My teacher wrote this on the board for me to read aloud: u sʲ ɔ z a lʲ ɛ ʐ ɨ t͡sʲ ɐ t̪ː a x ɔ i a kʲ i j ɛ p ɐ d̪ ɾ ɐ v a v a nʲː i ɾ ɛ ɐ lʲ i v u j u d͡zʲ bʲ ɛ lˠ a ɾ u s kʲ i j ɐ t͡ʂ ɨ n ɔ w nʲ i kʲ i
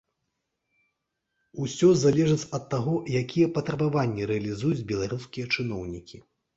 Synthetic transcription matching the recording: u sʲ ɔ z a lʲ ɛ ʐ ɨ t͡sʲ ɐ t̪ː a ɣ ɔ j a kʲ i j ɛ p ɐ t̪ ɾ ɐ b a v a nʲː i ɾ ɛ ɐ lʲ i z u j u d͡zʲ bʲ ɛ lˠ a ɾ u s kʲ i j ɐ t͡ʂ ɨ n ɔ w nʲ i kʲ i